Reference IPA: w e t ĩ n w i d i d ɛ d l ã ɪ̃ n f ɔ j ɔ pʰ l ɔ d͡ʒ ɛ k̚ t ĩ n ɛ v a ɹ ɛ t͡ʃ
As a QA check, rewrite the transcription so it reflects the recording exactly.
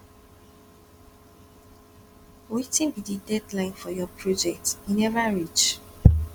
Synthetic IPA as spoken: w e t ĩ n b i d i d ɛ d l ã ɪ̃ n f ɔ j ɔ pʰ ɹ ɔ d͡ʒ ɛ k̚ t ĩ n ɛ v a ɹ i t͡ʃ